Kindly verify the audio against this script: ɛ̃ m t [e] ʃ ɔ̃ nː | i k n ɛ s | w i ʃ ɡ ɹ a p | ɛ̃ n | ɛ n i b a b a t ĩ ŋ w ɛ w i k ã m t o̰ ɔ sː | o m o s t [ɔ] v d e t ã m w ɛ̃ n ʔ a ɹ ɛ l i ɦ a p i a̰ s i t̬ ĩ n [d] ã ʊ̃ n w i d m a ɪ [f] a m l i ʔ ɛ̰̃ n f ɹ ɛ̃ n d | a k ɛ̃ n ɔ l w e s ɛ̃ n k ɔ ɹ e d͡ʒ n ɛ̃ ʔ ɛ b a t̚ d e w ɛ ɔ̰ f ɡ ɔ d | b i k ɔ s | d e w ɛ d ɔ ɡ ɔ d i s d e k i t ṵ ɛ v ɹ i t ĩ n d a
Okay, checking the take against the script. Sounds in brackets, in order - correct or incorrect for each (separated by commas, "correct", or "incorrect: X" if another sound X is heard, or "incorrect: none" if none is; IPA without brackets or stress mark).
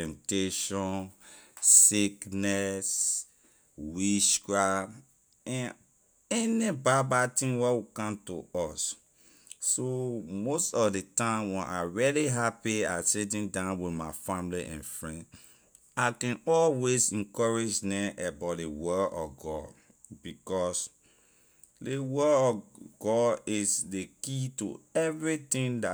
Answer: correct, correct, correct, correct